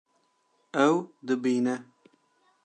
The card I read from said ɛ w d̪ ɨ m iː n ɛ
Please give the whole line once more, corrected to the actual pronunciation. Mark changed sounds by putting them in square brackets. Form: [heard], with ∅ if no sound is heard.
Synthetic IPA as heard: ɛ w d̪ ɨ [b] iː n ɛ